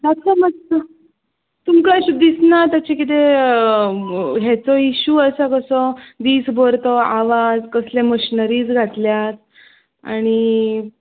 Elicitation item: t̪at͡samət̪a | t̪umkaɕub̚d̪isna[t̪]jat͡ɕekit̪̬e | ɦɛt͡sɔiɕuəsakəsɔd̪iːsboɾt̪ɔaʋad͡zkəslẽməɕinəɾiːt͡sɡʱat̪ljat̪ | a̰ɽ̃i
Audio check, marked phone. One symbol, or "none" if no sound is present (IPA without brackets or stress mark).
t̪